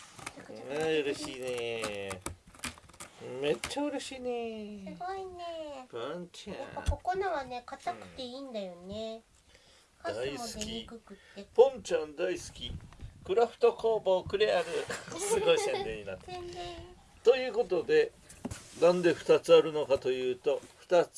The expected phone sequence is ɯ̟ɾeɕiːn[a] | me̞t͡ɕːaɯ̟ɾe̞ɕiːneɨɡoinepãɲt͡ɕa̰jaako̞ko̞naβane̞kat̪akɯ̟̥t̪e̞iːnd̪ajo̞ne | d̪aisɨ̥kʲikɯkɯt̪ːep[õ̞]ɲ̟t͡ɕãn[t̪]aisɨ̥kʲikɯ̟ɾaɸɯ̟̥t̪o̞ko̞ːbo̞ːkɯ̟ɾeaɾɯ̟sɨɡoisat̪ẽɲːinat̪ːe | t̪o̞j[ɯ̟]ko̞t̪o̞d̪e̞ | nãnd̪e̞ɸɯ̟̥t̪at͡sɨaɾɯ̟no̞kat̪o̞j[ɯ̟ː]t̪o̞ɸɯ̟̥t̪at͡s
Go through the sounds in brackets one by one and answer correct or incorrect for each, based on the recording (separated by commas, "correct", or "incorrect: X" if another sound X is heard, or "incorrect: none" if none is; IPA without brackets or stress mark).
incorrect: e, correct, incorrect: d̪, incorrect: ɯ̟ː, correct